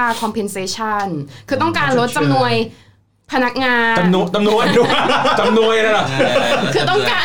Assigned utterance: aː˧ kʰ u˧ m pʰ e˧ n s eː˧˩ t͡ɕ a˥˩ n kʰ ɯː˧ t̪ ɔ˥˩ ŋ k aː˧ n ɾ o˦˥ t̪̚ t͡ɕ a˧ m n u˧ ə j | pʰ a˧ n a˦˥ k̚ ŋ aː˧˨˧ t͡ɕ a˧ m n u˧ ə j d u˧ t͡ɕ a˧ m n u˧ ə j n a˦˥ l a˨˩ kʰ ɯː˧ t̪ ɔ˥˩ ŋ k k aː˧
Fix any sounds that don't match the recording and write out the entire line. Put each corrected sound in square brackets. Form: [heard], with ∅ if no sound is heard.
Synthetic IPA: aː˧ kʰ [ɔ˧] m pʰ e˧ n s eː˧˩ [t͡ɕʰ] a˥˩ n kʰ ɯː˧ t̪ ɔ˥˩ ŋ k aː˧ n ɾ o˦˥ t̪̚ t͡ɕ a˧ m n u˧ ə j | pʰ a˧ n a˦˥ k̚ ŋ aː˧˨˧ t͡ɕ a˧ m n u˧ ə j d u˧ t͡ɕ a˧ m n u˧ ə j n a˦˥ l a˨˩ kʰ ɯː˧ t̪ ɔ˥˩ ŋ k k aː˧